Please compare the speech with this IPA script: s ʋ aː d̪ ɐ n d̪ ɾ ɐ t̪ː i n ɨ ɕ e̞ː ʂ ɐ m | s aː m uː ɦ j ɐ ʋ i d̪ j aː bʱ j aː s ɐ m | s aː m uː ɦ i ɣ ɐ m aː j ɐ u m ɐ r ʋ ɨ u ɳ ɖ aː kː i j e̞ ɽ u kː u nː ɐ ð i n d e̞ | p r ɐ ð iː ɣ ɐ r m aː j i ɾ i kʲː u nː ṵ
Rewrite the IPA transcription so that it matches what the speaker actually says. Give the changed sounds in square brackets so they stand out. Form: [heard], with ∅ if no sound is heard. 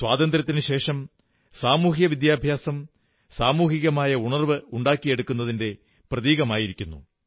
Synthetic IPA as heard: s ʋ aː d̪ ɐ n d̪ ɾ ɐ t̪ː i n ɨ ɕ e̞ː ʂ ɐ m | s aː m uː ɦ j ɐ ʋ i d̪ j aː bʱ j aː s ɐ m | s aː m uː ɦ i ɣ ɐ m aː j ɐ u [ɳ] ɐ r ʋ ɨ u ɳ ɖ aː kː i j e̞ ɽ u kː u nː ɐ ð i n d e̞ | p r ɐ ð iː ɣ ɐ [∅] m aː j i ɾ i kʲː u nː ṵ